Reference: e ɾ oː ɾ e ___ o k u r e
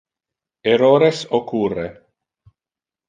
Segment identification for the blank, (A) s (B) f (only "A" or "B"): A